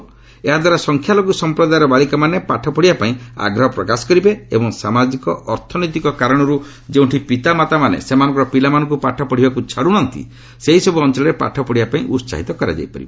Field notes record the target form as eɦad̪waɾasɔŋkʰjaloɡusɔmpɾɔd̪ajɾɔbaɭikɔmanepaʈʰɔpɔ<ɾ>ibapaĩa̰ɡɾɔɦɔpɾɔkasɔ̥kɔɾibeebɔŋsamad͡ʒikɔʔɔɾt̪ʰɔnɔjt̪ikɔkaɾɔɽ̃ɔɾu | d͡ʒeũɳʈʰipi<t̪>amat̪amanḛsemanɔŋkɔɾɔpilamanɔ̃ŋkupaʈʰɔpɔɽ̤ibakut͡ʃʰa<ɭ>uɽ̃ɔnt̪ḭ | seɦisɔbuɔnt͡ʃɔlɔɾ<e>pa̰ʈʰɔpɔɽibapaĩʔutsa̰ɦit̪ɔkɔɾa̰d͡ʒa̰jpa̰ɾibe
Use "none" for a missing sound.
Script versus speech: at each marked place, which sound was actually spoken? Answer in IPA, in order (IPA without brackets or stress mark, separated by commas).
ɽ, t̪, ɽ, e